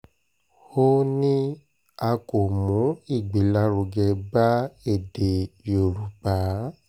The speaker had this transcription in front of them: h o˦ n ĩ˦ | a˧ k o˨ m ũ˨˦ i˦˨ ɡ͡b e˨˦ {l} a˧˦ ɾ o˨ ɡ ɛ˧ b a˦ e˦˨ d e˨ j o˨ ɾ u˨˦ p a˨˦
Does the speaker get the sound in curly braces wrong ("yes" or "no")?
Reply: no